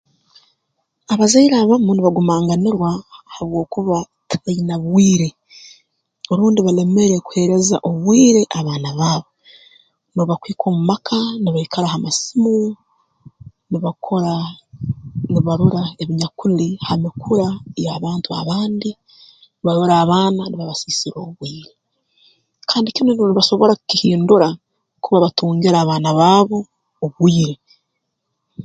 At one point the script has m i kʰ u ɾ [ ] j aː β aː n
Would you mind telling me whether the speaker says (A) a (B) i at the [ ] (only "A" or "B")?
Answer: A